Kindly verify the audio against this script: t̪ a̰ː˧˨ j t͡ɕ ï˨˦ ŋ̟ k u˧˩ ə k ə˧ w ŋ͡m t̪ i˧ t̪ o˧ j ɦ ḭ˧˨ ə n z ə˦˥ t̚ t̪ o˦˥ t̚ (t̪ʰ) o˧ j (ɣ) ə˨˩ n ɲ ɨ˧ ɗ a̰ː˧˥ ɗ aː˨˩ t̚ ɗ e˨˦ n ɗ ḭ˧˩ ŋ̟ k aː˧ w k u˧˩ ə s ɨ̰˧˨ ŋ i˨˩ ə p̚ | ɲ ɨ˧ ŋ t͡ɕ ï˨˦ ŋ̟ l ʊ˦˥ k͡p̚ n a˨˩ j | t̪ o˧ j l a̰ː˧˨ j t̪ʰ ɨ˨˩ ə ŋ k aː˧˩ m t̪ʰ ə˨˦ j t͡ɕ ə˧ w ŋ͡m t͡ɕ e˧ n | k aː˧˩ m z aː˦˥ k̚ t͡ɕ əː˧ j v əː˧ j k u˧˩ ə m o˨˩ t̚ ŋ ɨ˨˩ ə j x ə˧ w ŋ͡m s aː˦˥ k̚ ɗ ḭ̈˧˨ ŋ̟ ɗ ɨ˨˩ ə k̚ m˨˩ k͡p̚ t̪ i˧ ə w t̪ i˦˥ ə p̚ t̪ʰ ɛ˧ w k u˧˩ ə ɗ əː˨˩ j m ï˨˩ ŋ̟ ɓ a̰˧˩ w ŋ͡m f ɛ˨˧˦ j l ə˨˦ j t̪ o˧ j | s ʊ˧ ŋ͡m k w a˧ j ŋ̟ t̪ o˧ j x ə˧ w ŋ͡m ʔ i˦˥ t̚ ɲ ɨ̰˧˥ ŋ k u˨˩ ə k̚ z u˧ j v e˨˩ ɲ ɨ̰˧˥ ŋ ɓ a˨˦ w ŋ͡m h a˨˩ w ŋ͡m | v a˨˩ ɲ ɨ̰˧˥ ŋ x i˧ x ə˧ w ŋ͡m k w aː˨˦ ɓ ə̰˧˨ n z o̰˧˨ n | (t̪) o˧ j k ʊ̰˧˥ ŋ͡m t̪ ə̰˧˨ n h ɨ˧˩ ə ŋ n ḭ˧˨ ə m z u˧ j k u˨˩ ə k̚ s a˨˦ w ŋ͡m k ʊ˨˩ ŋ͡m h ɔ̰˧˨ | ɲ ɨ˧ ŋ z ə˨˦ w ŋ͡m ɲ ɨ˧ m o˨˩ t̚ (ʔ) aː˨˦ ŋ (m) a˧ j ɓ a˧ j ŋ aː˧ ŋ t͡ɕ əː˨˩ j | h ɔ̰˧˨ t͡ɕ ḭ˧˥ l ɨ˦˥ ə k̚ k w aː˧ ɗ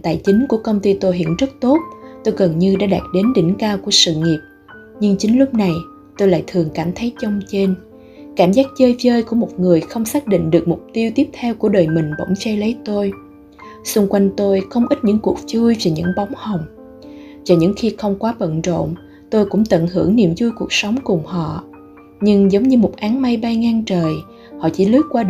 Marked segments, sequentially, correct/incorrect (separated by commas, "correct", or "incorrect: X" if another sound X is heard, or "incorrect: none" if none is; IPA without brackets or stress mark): incorrect: t̪, correct, correct, correct, correct